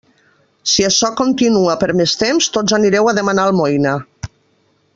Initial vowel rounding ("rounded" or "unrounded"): unrounded